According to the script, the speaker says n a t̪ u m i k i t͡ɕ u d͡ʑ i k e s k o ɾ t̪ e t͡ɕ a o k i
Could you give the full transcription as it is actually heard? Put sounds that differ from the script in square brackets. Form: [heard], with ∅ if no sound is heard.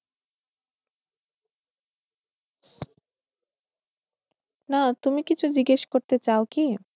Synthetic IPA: n a t̪ u m i k i [t͡ɕʰ] u d͡ʑ i [ɡ] e [ʃ] k o ɾ t̪ e t͡ɕ a o k i